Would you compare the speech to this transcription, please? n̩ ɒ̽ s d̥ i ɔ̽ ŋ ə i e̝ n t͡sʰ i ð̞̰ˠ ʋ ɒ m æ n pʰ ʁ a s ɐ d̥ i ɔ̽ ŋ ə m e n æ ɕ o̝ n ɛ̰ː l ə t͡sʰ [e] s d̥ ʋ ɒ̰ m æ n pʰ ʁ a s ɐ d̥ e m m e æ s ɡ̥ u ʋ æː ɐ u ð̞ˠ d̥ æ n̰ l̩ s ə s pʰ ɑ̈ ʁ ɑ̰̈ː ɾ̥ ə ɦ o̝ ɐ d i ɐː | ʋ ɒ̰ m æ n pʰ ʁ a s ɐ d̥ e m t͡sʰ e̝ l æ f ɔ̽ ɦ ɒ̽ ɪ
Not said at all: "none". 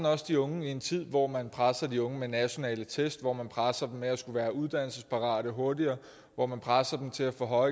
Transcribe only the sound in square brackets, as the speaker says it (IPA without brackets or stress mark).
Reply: e